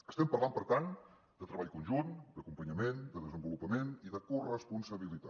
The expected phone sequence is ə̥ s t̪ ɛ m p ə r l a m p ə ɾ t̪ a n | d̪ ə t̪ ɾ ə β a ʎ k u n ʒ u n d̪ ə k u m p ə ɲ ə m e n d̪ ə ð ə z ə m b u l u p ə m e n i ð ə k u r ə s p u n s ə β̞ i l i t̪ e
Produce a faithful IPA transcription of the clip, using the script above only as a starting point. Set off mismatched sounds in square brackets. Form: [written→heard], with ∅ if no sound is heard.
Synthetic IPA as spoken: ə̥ s t̪ ɛ m p ə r l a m p ə ɾ t̪ a n | d̪ ə t̪ ɾ ə β a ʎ k u n ʒ u n d̪ ə k u m p ə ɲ ə m e n d̪ ə ð ə z ə m b u l u p ə m e n i ð ə k u r ə s p u n s ə β̞ i l i t̪ [e→a]